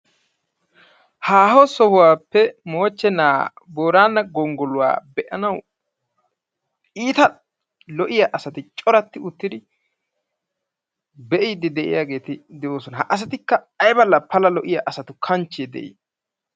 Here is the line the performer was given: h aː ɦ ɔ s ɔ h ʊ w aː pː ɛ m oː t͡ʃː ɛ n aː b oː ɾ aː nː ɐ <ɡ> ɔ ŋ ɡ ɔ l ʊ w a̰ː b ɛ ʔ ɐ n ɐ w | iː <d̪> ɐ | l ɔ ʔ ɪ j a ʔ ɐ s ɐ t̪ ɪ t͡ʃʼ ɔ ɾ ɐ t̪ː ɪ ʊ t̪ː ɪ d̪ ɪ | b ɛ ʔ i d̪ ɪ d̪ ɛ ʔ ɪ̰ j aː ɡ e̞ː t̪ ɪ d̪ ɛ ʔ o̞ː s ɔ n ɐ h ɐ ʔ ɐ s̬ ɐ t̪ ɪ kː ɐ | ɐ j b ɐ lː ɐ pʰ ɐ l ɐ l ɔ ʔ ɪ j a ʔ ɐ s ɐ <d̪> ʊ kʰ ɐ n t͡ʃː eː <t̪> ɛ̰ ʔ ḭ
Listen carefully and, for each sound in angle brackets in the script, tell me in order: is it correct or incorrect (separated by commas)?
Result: correct, incorrect, incorrect, incorrect